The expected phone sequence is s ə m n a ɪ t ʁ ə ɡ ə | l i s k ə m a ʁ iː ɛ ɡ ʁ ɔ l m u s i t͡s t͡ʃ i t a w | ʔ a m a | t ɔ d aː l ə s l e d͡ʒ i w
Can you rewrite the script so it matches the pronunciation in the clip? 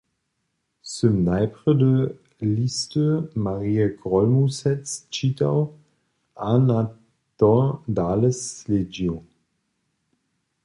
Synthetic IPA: s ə m n a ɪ p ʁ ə d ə | l i s t ə m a ʁ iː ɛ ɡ ʁ ɔ l m u s ɛ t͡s t͡ʃ i t a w | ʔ a n a | t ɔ d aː l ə s l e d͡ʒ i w